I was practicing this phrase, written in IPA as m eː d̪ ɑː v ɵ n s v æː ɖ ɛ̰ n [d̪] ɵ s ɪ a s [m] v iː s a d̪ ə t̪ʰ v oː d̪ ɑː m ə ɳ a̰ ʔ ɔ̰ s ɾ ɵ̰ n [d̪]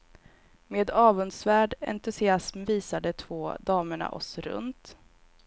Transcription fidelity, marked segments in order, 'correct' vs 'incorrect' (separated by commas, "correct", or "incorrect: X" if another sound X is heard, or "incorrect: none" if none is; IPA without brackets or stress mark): incorrect: t̪, correct, incorrect: t̪